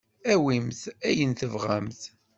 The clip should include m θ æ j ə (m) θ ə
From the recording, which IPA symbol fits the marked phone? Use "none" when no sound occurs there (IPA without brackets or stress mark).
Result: n